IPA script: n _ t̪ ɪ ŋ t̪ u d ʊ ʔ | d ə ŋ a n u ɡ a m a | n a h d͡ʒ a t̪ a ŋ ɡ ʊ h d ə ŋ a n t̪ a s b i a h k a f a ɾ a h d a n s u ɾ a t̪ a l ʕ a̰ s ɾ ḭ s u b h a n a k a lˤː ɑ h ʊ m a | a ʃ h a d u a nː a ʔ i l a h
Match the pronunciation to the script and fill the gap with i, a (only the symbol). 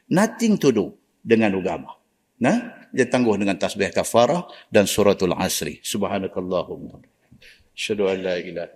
a